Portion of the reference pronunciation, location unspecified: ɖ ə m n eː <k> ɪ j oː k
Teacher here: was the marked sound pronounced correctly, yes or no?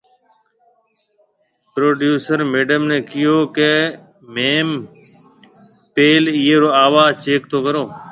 yes